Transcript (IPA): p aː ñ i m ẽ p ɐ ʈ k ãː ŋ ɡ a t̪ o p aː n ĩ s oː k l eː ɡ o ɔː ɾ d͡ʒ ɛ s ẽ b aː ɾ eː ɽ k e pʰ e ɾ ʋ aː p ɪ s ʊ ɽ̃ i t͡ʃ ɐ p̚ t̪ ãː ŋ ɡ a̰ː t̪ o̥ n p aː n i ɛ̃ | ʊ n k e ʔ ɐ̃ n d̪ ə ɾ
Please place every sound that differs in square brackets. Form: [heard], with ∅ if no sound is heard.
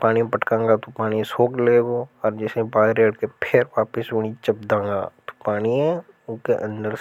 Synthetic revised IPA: p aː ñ i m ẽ p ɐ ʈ k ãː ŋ ɡ a t̪ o p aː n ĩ s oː k l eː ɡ o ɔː ɾ d͡ʒ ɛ s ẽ b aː ɾ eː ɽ k e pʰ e ɾ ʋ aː p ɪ s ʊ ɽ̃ i t͡ʃ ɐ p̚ [d̪] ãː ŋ ɡ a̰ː t̪ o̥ [∅] p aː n i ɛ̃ | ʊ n k e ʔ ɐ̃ n d̪ ə ɾ